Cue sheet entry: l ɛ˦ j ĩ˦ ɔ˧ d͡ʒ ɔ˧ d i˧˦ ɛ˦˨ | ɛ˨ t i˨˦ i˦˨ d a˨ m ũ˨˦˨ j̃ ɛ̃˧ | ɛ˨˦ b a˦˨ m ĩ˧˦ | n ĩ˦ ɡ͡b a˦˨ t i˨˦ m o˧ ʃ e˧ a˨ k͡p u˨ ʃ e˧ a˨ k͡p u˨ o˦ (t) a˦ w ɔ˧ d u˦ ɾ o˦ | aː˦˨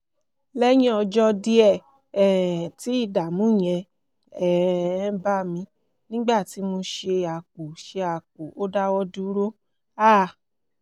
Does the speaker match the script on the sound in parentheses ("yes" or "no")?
no